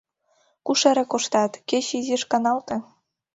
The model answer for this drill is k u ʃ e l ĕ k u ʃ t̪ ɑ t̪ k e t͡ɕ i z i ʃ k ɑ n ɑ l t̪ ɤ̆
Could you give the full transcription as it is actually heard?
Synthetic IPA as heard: k u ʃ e ɾ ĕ k o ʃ t̪ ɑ t̪ k e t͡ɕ i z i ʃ k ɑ n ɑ l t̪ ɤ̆